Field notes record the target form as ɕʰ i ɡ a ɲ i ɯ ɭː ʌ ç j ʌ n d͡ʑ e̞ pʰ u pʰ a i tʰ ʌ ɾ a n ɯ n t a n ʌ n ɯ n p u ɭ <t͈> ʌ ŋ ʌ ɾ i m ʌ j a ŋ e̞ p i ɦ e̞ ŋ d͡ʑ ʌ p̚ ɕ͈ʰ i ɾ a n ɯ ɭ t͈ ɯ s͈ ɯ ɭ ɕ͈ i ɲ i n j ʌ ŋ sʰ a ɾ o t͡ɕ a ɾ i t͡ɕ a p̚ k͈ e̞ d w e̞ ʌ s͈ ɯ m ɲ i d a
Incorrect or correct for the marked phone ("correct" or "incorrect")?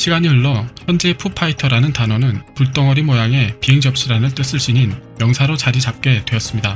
correct